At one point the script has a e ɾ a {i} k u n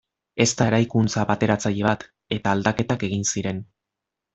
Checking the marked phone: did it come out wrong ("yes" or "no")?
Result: yes